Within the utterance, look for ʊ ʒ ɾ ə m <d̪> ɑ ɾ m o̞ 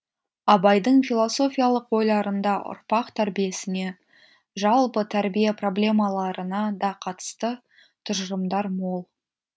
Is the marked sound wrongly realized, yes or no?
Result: no